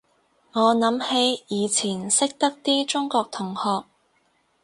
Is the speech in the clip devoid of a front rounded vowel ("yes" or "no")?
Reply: yes